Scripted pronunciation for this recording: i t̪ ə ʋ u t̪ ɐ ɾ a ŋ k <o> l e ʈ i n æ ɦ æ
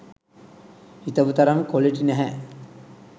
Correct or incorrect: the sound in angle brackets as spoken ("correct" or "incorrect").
correct